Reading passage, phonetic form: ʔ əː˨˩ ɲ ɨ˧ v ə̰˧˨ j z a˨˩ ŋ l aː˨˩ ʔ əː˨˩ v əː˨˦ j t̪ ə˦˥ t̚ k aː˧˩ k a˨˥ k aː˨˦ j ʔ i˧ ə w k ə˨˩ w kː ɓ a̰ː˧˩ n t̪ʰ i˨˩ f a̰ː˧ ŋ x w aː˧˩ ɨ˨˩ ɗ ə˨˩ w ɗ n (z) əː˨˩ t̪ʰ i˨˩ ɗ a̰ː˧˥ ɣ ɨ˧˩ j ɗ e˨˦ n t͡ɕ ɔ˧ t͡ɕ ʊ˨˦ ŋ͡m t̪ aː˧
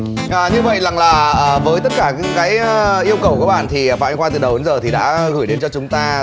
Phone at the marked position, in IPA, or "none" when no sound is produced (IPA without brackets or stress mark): z